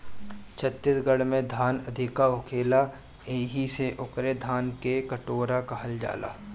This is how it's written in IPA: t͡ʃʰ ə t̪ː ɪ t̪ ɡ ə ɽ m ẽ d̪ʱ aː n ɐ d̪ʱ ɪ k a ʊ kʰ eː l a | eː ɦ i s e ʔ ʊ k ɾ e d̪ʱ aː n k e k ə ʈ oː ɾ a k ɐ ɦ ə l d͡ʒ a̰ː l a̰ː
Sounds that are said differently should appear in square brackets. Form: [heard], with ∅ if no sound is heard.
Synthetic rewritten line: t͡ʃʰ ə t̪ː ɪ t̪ ɡ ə ɽ m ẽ d̪ʱ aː n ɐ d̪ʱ ɪ k a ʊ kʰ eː l a | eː ɦ i s e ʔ ʊ k ɾ e d̪ʱ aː n k e k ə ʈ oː ɾ a k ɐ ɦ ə l d͡ʒ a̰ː l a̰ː